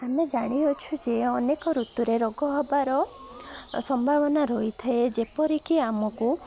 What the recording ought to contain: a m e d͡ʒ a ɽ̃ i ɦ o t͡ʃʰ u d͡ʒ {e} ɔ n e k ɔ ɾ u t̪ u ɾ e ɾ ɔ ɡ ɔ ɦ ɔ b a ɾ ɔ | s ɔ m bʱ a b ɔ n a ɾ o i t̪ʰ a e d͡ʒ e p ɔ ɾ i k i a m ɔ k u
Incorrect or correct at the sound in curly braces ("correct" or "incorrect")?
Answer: correct